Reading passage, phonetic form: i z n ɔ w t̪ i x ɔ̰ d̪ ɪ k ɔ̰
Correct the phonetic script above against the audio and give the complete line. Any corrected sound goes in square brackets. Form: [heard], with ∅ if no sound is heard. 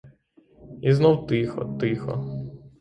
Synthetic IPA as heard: i z n ɔ w t̪ [ɪ] x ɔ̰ [t̪] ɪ [x] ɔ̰

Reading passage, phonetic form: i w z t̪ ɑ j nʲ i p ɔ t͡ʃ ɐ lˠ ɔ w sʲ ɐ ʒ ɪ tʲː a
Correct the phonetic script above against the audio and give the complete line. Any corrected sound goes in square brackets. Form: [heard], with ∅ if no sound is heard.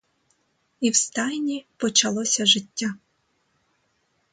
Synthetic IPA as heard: i w [s] t̪ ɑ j nʲ i p ɔ t͡ʃ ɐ lˠ ɔ [∅] sʲ ɐ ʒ ɪ tʲː a

